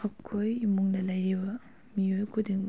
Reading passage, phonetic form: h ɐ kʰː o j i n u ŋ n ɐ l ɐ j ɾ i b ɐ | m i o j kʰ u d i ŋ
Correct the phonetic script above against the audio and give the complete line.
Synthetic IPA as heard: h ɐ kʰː o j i m u ŋ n ɐ l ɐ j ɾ i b ɐ | m i o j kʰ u d i ŋ